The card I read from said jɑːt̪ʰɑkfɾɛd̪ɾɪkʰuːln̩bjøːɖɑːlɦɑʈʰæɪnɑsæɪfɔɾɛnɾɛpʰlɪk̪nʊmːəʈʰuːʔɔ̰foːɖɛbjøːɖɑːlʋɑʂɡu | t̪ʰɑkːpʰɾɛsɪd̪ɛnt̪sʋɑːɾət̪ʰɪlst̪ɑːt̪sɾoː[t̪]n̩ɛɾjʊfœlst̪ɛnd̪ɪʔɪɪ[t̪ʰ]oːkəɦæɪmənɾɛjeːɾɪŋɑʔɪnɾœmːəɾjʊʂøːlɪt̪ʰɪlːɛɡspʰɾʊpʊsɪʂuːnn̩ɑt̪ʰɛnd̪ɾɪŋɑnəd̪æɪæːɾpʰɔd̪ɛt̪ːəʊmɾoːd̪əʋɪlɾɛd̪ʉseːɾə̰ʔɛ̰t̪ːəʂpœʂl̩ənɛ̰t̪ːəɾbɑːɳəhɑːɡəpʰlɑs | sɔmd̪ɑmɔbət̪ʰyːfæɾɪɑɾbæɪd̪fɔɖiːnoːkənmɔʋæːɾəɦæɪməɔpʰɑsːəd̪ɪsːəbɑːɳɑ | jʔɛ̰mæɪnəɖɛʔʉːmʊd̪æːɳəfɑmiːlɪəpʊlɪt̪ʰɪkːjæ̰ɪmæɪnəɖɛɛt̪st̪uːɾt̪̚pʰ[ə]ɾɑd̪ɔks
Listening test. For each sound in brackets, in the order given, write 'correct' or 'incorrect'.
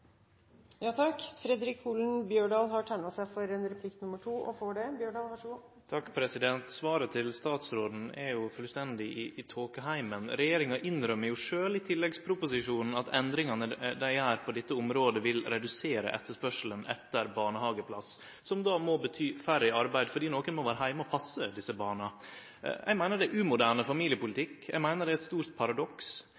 incorrect: d̪, correct, incorrect: ɑ

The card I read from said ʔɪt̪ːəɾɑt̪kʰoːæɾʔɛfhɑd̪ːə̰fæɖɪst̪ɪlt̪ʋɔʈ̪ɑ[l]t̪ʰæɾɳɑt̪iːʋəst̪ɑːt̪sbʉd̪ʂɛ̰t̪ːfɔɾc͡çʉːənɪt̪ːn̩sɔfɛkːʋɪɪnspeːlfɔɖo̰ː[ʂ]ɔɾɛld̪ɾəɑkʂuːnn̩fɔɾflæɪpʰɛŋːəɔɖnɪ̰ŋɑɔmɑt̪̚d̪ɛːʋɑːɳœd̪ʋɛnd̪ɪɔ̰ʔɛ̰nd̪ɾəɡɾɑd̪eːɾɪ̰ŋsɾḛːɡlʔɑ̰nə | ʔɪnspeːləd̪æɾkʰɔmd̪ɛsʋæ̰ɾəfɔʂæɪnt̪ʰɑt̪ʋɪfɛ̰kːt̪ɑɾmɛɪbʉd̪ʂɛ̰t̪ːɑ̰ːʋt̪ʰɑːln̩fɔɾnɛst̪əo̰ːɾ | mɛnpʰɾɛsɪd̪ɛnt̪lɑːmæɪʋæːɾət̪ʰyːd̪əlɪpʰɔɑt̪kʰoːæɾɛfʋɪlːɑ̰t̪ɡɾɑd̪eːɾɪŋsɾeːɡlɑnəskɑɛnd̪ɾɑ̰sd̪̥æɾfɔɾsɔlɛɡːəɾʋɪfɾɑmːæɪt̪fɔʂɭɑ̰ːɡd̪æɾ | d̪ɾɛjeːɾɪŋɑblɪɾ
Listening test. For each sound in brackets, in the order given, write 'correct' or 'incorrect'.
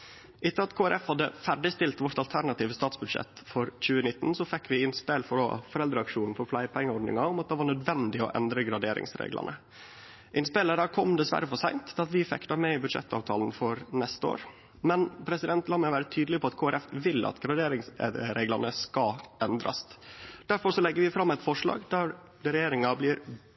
correct, incorrect: f

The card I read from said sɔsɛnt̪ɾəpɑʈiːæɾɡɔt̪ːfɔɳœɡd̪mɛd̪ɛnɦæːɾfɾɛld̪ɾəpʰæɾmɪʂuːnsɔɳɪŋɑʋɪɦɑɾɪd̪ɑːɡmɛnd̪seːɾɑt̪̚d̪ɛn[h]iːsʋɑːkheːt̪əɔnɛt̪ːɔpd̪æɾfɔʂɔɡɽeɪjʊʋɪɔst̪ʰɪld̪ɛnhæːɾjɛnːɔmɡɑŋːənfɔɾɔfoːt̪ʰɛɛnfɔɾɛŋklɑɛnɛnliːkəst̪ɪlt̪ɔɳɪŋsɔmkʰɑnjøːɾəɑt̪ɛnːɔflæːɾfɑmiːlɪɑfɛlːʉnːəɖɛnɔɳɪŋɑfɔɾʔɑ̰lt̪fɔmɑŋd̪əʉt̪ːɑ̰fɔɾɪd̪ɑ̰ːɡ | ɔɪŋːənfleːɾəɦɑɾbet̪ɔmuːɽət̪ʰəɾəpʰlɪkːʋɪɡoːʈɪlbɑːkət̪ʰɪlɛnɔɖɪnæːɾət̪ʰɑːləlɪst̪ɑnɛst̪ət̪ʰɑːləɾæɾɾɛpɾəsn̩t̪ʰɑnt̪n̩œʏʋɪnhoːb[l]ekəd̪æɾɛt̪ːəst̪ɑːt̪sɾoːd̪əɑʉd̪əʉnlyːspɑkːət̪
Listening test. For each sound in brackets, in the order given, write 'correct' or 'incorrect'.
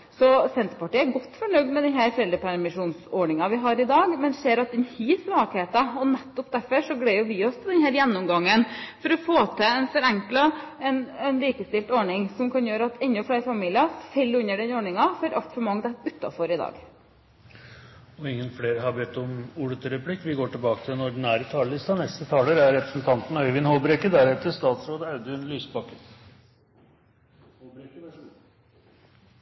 correct, incorrect: ɾ

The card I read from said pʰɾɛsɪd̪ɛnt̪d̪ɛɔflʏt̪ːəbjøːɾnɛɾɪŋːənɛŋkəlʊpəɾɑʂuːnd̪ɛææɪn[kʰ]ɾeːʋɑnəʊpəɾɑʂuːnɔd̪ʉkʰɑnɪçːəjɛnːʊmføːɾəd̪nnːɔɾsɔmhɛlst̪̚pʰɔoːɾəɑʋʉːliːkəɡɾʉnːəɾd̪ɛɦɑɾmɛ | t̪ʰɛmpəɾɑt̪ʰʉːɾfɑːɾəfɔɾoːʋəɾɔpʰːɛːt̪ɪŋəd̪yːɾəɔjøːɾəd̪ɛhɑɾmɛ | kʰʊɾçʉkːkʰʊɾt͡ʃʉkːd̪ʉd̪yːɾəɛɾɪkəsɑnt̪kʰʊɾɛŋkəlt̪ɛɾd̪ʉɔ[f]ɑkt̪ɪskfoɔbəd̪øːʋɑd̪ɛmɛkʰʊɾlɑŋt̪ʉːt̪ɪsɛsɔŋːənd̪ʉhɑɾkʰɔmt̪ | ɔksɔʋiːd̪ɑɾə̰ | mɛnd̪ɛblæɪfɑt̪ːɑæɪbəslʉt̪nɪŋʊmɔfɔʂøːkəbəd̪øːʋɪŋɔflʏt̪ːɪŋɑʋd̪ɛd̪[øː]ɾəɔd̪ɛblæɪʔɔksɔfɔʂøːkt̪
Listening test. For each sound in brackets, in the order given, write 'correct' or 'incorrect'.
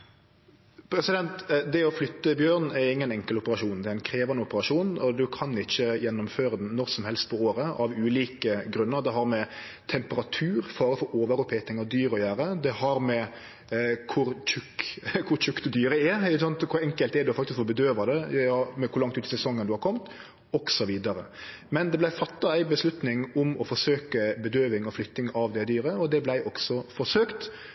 correct, correct, incorrect: yː

